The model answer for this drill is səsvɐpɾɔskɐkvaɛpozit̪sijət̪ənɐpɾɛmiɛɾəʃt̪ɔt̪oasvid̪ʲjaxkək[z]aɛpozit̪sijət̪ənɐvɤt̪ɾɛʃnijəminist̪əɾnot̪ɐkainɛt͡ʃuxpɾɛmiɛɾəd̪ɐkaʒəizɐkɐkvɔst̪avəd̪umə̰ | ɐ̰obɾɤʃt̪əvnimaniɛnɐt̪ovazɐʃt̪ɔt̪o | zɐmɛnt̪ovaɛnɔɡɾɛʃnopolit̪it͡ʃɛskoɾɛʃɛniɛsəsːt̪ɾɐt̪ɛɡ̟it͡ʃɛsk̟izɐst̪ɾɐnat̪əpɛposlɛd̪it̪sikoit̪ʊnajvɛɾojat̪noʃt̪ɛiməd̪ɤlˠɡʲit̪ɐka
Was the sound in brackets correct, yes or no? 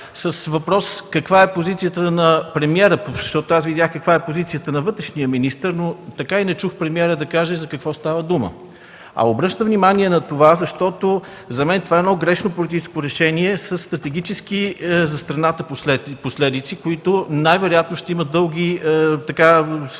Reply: no